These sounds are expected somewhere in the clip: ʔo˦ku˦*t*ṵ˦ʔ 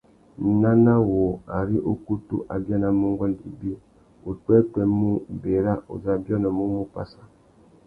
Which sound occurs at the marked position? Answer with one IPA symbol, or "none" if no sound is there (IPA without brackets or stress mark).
t